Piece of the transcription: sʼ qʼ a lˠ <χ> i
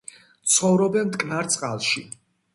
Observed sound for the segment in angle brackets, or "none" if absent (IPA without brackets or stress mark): ʃ